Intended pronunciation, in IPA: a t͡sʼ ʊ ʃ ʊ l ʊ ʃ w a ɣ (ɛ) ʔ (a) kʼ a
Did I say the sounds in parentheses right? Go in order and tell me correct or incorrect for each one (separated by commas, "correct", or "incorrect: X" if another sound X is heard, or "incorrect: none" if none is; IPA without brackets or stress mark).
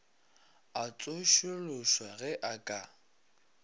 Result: correct, correct